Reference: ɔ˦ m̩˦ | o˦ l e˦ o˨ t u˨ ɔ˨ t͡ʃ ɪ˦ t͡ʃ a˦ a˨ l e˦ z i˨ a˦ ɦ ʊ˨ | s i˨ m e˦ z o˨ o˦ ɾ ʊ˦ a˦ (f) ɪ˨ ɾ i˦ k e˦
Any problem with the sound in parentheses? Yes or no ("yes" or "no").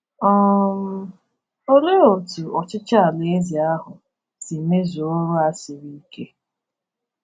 yes